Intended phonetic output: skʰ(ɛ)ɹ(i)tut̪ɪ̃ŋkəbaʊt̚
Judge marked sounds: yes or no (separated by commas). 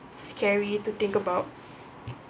yes, yes